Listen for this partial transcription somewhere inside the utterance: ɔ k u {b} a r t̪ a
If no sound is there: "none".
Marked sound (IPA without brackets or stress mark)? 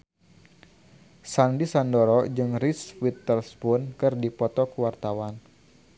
w